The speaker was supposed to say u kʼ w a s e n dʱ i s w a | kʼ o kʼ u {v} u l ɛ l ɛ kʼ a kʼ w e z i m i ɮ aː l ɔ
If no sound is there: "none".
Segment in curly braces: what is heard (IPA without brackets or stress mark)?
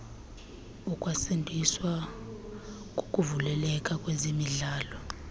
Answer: v